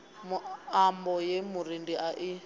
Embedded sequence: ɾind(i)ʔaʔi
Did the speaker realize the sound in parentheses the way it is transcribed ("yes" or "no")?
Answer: yes